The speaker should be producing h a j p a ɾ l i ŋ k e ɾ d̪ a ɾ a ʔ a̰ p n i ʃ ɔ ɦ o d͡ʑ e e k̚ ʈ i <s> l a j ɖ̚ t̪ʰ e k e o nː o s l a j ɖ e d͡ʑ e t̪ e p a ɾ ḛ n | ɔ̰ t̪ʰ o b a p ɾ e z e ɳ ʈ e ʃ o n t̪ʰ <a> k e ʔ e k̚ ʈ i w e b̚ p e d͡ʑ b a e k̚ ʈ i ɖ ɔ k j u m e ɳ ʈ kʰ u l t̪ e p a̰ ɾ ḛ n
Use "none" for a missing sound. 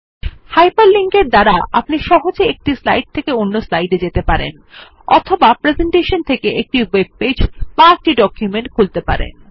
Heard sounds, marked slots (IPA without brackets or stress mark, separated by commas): s, e